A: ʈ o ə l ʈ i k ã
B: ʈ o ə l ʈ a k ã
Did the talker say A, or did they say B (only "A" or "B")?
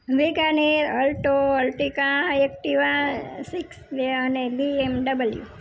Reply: A